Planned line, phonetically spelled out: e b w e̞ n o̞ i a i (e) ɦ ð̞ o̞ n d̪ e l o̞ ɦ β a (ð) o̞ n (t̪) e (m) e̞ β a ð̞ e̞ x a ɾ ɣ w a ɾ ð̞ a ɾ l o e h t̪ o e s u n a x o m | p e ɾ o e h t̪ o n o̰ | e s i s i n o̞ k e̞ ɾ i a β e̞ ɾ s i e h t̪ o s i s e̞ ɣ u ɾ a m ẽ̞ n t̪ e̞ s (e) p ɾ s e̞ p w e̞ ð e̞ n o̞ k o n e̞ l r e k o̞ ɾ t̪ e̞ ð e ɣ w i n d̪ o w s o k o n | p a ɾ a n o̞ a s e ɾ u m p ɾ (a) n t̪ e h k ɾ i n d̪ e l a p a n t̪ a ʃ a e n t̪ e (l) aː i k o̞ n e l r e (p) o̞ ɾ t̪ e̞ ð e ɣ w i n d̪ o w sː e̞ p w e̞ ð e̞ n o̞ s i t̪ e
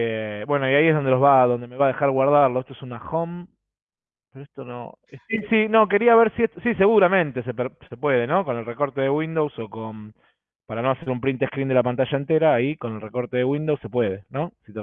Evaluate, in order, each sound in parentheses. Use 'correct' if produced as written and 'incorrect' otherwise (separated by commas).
correct, correct, incorrect, correct, correct, incorrect, incorrect, incorrect